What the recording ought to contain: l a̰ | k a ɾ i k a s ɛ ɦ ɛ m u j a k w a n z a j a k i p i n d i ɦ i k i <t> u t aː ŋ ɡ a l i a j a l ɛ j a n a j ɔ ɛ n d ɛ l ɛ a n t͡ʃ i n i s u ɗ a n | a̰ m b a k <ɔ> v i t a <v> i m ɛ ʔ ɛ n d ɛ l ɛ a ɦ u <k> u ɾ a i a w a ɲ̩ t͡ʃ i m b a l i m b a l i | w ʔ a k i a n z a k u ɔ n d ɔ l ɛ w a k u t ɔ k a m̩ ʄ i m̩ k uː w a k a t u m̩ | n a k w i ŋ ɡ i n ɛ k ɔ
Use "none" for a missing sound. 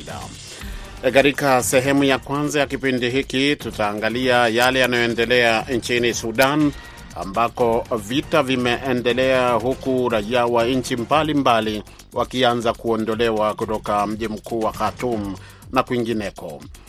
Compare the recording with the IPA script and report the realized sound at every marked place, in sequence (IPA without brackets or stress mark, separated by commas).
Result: t, ɔ, v, k